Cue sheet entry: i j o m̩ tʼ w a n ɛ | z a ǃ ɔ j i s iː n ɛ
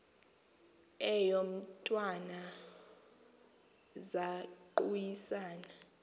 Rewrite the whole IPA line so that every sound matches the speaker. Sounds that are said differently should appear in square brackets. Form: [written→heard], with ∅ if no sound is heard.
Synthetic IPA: [i→ɛ] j o m̩ tʼ w a n [ɛ→a] | z a ǃ [ɔ→u] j i s [iː→aː] n [ɛ→a]

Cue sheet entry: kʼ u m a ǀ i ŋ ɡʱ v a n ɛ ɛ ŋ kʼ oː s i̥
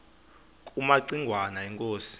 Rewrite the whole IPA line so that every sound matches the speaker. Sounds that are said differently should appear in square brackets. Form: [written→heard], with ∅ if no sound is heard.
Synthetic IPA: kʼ u m a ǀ i ŋ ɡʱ [v→w] a n [ɛ→a] ɛ ŋ kʼ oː s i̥

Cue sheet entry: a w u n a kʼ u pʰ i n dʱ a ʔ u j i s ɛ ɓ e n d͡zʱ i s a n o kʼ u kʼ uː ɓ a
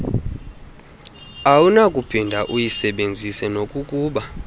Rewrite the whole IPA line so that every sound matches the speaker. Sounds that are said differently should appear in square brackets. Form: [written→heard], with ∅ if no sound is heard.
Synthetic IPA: a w u n a kʼ u pʰ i n dʱ a ʔ u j i s ɛ ɓ e n d͡zʱ i s [a→ɛ] n o kʼ u kʼ uː ɓ a

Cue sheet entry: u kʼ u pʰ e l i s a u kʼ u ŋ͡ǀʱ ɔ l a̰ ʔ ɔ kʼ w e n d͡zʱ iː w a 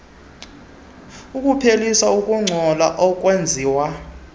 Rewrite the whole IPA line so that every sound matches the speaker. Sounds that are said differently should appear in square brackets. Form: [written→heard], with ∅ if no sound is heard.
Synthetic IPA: u kʼ u pʰ e l i s a u kʼ u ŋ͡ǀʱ ɔ l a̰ ʔ ɔ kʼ w e n d͡zʱ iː w a

